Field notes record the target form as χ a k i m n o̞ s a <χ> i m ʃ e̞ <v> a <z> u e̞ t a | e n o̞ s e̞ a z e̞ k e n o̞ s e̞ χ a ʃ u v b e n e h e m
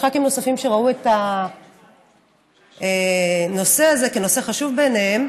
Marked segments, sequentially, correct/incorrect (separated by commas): incorrect, incorrect, incorrect